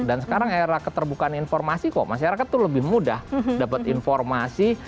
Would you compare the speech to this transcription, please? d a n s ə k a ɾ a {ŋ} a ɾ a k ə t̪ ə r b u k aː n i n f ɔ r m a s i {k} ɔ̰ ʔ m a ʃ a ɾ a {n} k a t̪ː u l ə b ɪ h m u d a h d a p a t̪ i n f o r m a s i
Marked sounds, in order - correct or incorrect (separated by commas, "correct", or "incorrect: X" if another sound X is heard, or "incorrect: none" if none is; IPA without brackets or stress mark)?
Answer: correct, correct, incorrect: none